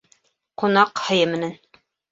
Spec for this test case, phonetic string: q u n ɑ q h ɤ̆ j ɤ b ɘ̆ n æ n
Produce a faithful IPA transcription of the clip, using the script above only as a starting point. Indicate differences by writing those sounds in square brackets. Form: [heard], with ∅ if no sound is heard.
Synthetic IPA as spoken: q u n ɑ q h ɤ̆ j ɤ [m] ɘ̆ n æ n